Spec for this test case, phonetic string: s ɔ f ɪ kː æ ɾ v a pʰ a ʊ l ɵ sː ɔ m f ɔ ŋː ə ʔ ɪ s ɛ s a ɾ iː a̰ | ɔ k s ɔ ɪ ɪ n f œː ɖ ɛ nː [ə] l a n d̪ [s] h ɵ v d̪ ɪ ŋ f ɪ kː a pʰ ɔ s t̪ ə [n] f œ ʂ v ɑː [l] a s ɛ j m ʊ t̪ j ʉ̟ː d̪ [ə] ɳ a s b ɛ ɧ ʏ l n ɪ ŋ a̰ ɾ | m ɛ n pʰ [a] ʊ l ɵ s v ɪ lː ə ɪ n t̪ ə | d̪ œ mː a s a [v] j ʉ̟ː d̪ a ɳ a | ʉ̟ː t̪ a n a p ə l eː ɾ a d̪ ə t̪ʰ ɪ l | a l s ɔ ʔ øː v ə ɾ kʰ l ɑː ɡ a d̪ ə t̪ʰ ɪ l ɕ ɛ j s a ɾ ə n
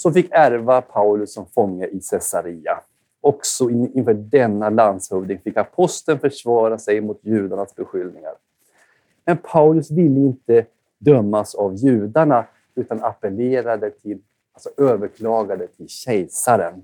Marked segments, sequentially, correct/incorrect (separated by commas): incorrect, correct, correct, incorrect, incorrect, correct, correct